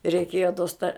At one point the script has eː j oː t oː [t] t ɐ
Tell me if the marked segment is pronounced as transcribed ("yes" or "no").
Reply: no